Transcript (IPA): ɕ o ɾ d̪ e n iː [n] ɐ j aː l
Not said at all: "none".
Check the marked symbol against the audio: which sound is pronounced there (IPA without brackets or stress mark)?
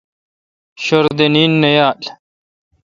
nː